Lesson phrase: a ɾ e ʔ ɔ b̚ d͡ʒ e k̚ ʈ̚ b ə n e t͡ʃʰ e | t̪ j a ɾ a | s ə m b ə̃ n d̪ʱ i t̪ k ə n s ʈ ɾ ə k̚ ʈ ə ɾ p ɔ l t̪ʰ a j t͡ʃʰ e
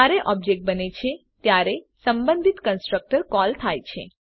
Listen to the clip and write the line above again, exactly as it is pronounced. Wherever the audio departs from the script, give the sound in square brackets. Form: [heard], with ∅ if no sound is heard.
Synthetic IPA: a ɾ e ʔ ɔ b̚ d͡ʒ e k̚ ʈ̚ b ə n e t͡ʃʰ e | t̪ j a ɾ [e] | s ə m b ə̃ n d̪ʱ i t̪ k ə n s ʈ ɾ ə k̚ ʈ ə ɾ [k] ɔ l t̪ʰ a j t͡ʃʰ e